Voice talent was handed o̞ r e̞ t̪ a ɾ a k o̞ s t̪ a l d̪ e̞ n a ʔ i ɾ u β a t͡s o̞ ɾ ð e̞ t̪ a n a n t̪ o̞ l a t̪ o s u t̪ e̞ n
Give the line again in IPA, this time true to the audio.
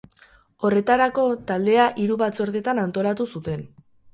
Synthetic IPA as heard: o̞ r e̞ t̪ a ɾ a k o̞ t̪ a l d̪ e̞ a ʔ i ɾ u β a t͡s o̞ ɾ ð e̞ t̪ a n a n t̪ o̞ l a t̪ u s u t̪ e̞ n